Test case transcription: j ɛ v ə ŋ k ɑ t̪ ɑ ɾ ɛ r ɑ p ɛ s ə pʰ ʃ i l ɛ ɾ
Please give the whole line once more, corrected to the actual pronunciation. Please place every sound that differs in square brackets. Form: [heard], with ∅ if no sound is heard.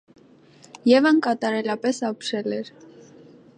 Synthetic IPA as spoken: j ɛ v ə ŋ k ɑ t̪ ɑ ɾ ɛ [l] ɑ p ɛ s [ɑ] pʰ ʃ [ɛ] l ɛ ɾ

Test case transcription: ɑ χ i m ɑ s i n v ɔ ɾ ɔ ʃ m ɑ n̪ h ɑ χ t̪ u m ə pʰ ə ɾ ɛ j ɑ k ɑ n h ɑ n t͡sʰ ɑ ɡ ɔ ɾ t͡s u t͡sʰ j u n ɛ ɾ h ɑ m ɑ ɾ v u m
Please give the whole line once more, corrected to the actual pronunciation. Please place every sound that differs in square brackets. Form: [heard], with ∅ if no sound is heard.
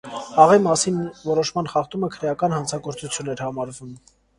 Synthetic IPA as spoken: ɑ [ʁ] i m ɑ s i n v ɔ ɾ ɔ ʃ m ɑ n̪ [χ] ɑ χ t̪ u m ə [kʰ] ə ɾ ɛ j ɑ k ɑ n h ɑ n t͡sʰ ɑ ɡ ɔ ɾ t͡s u t͡sʰ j u n ɛ ɾ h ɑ m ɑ ɾ v u m

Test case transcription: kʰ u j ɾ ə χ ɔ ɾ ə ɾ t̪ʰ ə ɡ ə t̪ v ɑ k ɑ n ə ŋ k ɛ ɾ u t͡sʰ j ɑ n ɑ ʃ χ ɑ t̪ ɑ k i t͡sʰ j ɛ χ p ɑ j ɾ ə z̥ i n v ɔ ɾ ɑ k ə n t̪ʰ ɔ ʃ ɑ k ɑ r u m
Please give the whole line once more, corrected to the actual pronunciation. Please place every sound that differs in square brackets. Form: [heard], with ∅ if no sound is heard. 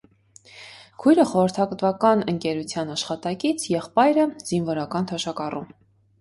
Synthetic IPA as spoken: kʰ u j ɾ ə χ ɔ ɾ ə ɾ t̪ʰ [ɑ] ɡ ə t̪ v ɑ k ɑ n ə ŋ k ɛ ɾ u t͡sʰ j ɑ n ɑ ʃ χ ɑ t̪ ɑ k i t͡sʰ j ɛ χ p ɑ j ɾ ə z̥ i n v ɔ ɾ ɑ k [ɑ] n t̪ʰ ɔ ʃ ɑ k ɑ r u m

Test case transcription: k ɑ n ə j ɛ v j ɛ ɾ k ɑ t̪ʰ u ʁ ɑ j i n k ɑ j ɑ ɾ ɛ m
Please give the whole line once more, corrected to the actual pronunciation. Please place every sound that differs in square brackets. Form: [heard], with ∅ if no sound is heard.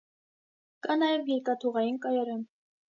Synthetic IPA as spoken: k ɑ n [ɑ] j ɛ v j ɛ ɾ k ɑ t̪ʰ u ʁ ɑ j i n k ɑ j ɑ ɾ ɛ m

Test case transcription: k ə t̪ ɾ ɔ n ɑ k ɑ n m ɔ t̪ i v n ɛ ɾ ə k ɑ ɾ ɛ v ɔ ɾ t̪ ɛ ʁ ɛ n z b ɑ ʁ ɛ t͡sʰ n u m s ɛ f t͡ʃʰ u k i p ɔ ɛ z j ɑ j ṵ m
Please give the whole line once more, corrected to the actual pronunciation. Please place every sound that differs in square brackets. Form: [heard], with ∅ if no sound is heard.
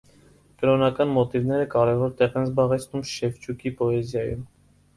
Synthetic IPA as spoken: k ə [∅] ɾ ɔ n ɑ k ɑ n m ɔ t̪ i v n ɛ ɾ ə k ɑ ɾ ɛ v ɔ ɾ t̪ ɛ ʁ ɛ n z b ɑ ʁ ɛ t͡sʰ n u m [ʃ] ɛ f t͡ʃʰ u k i p ɔ ɛ z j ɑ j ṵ m

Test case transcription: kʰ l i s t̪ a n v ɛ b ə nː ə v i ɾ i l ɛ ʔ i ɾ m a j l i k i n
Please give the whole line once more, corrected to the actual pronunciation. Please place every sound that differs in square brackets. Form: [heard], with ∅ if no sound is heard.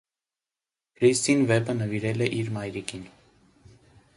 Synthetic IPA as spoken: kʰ [ɾ] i s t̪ [i] n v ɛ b ə [n] ə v i ɾ [ɛ] l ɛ ʔ i ɾ m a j [ɾ] i k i n

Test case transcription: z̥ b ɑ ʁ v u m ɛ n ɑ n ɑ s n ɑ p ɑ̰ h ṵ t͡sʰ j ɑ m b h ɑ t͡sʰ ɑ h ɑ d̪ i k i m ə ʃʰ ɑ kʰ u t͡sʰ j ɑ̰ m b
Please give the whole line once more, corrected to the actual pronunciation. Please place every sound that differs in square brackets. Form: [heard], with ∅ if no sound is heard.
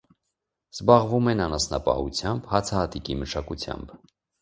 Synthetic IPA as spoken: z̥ b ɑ ʁ v u m ɛ n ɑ n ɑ s n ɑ p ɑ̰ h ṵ t͡sʰ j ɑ m b h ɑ t͡sʰ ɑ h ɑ [t̪] i k i m ə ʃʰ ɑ [k] u t͡sʰ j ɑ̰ m b

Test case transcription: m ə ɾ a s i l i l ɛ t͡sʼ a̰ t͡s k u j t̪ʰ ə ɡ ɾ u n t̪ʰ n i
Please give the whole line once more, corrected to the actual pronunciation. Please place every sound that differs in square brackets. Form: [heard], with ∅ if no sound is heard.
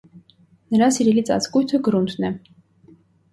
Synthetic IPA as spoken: [n] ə ɾ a s i [ɾ] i l [i] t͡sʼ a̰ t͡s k u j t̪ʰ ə ɡ ɾ u n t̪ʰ n [ɛ]

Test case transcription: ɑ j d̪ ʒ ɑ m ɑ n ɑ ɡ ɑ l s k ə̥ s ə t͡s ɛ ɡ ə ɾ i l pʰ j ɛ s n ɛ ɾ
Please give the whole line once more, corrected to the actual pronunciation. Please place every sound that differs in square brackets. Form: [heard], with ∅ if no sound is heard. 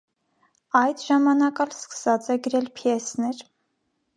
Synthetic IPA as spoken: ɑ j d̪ ʒ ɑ m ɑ n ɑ [k] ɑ l s k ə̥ s [ɑ] t͡s ɛ ɡ ə ɾ [ɛ] l pʰ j ɛ s n ɛ ɾ

